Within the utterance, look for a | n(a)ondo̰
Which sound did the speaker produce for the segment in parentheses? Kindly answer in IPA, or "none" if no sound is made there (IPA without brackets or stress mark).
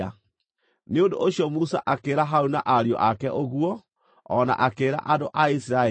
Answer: e